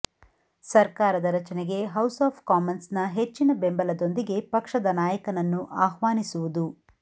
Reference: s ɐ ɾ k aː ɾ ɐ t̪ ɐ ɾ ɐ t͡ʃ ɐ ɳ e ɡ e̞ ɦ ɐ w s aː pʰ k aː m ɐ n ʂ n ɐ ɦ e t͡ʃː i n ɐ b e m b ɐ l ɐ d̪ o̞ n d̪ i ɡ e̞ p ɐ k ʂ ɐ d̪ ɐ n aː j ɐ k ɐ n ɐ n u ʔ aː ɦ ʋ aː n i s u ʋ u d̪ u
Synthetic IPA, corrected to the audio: s ɐ ɾ k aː ɾ ɐ d̪ ɐ ɾ ɐ t͡ʃ ɐ n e ɡ e̞ ɦ ɐ w s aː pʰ k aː m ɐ n s n ɐ ɦ e t͡ʃː i n ɐ b e m b ɐ l ɐ d̪ o̞ n d̪ i ɡ e̞ p ɐ k ʂ ɐ d̪ ɐ n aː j ɐ k ɐ n ɐ nː u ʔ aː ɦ ʋ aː n i s u ʋ u d̪ u